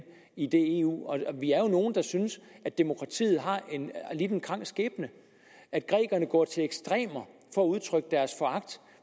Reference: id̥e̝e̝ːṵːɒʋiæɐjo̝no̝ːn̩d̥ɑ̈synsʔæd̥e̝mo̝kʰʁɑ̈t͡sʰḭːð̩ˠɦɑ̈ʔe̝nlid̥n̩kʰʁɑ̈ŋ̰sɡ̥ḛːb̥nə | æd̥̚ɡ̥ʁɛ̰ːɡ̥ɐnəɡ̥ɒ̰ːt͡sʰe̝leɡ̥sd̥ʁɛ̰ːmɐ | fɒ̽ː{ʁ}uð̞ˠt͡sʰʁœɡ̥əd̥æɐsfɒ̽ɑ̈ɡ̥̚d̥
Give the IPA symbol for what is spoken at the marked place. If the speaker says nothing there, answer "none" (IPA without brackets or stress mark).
none